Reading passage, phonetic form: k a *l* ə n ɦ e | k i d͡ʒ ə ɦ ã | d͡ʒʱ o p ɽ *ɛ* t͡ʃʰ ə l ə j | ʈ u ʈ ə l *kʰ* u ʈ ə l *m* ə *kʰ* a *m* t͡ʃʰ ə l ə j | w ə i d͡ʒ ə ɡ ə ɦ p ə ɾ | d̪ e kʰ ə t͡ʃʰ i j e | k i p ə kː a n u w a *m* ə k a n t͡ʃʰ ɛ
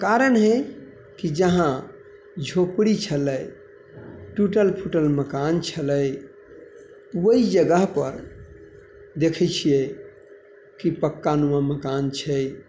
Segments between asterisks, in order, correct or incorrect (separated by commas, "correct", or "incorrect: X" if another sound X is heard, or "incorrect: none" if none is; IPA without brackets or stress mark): incorrect: ɾ, incorrect: i, incorrect: pʰ, correct, incorrect: k, incorrect: n, correct